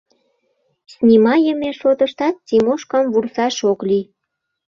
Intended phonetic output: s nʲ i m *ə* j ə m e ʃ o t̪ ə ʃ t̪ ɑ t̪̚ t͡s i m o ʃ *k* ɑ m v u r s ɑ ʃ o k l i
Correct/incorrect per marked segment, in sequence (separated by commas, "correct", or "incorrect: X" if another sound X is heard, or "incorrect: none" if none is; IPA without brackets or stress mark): incorrect: ɑ, correct